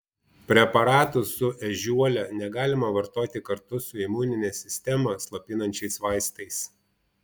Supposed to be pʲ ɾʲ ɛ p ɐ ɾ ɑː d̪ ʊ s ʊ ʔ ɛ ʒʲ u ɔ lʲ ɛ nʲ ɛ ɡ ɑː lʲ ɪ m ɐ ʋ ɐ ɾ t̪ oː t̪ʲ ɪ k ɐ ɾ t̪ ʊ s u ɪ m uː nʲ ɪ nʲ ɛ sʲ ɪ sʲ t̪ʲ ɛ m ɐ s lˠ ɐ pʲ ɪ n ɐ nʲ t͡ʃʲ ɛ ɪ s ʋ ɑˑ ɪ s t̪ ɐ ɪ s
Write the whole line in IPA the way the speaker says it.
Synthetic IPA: pʲ ɾʲ ɛ p ɐ ɾ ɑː t̪ ʊ s ʊ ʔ ɛ ʒʲ u ɔ lʲ ɛ nʲ ɛ ɡ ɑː lʲ ɪ m ɐ ʋ ɐ ɾ t̪ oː t̪ʲ ɪ k ɐ ɾ t̪ ʊ s ʊ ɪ m uː nʲ ɪ nʲ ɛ sʲ ɪ sʲ t̪ʲ ɛ m ɐ s lˠ ɐ pʲ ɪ n ɐ nʲ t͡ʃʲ ɛ ɪ s ʋ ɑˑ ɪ s t̪ ɐ ɪ s